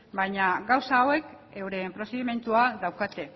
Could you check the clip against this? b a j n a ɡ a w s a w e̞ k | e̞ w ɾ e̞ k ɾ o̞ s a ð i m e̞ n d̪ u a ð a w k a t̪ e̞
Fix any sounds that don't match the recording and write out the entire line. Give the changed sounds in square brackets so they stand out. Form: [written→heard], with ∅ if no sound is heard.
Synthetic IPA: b a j [n→ɲ] a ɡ a w s a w e̞ k | e̞ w ɾ e̞ [k→p] ɾ o̞ s [a→e] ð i m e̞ n [d̪→t̪] u a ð a w k a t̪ e̞